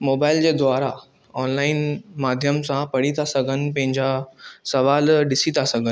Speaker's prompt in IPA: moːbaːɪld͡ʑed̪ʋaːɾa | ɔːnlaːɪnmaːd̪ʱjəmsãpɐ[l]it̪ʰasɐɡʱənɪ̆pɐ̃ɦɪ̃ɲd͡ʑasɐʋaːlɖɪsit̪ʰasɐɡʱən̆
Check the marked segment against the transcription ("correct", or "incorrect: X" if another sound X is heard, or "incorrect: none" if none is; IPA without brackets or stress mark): incorrect: ɽ